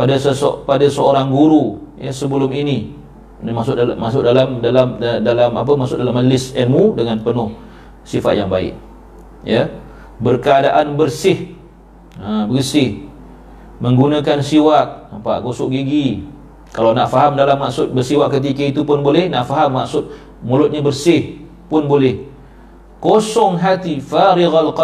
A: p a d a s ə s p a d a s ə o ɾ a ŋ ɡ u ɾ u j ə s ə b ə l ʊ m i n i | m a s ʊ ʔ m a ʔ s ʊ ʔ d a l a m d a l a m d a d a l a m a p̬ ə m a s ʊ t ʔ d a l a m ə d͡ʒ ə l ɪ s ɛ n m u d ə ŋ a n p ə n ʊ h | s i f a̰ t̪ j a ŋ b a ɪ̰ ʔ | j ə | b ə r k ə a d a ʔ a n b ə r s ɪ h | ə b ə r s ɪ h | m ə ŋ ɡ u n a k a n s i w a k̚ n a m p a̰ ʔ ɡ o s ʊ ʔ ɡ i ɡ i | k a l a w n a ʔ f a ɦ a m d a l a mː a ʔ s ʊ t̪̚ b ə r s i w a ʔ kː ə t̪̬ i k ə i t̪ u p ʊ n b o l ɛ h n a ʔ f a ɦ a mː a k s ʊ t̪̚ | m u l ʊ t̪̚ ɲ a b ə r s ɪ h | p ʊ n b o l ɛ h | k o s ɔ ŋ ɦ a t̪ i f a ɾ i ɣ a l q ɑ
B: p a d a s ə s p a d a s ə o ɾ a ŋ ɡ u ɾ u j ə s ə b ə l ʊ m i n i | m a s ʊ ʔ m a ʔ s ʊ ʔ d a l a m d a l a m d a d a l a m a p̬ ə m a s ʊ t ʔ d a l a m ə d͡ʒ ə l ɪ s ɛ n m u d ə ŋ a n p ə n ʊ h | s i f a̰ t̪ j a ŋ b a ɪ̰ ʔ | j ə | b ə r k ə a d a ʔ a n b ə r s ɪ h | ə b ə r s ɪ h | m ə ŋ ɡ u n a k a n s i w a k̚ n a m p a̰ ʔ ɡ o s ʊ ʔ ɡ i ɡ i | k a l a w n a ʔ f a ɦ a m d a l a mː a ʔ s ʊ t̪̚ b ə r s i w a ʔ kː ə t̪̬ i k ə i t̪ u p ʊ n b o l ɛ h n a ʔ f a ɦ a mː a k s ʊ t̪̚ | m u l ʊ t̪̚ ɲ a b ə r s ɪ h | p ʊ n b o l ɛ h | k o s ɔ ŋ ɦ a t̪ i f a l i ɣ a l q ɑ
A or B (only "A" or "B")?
A